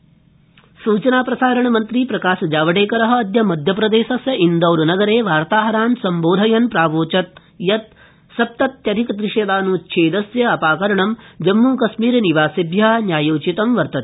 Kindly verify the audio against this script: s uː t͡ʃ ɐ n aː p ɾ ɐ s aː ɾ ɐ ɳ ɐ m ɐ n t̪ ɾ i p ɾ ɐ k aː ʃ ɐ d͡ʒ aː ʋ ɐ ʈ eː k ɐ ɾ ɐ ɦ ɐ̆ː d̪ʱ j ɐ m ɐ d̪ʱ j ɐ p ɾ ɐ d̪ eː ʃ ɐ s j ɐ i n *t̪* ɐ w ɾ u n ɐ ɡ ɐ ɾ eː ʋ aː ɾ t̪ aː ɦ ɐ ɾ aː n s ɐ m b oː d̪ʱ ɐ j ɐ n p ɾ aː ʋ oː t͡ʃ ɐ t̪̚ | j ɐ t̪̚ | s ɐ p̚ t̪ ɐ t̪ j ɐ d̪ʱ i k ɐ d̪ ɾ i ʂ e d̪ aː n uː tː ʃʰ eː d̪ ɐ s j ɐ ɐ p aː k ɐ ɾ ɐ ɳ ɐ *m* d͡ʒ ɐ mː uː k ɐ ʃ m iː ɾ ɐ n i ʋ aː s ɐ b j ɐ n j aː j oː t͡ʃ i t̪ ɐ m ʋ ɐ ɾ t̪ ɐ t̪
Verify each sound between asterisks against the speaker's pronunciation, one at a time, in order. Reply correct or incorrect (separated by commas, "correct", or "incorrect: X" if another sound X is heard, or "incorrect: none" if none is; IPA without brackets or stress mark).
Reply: incorrect: d̪, correct